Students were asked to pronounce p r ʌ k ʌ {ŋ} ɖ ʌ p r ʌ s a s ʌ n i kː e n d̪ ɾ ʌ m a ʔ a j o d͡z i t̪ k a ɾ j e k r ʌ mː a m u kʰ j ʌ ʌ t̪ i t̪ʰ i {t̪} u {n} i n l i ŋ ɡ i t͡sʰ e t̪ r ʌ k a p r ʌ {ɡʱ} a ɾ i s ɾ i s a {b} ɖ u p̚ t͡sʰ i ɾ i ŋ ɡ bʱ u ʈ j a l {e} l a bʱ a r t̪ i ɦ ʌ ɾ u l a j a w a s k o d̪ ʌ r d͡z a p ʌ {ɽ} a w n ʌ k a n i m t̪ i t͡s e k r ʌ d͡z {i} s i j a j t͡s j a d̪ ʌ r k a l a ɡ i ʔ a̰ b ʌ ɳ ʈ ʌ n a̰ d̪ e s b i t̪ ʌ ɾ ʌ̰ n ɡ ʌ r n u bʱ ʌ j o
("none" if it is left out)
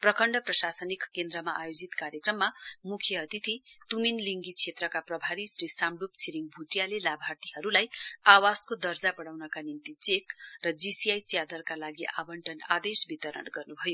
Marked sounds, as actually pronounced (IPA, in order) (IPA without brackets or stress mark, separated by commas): ɳ, t̪, m, bʱ, m, e, ɽ, i